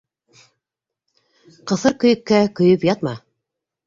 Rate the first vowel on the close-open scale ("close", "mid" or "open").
mid